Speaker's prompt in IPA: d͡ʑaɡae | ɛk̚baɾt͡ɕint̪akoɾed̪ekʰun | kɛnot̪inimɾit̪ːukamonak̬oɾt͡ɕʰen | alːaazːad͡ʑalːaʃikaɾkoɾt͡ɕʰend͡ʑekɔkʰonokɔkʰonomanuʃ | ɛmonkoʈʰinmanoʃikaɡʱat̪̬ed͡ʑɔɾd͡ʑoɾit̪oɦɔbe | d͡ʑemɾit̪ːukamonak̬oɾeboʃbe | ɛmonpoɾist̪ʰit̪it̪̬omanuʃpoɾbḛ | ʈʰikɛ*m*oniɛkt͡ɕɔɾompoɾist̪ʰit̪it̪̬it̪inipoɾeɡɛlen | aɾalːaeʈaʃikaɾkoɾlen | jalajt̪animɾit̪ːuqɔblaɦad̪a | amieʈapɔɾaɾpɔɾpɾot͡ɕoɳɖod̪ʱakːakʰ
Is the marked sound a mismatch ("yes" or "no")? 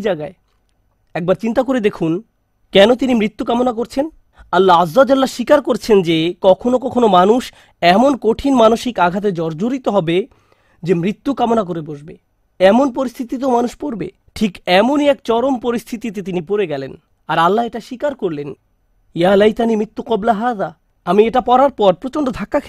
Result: no